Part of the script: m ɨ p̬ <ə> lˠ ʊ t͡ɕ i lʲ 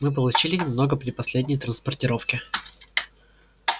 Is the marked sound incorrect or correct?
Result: correct